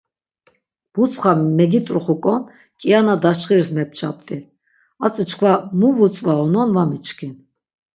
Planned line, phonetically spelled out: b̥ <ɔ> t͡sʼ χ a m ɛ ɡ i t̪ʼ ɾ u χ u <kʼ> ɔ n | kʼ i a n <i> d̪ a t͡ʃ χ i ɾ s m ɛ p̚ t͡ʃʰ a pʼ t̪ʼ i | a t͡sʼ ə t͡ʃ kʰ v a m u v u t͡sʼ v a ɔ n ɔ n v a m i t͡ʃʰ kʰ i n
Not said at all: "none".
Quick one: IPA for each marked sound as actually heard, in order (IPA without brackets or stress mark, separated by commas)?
u, kʼ, a